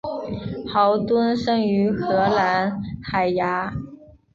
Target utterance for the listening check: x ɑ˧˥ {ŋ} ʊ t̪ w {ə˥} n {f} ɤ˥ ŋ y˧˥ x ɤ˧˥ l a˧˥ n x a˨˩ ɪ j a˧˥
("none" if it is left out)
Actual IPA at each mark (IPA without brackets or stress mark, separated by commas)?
none, ə˥, ʂ